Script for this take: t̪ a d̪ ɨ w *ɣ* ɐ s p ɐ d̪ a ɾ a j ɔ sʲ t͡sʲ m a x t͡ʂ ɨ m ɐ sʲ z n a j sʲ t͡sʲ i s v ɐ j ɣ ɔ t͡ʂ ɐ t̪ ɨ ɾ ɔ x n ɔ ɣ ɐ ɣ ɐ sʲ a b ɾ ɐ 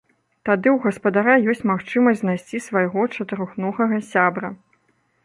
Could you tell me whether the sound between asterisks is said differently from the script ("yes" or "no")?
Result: no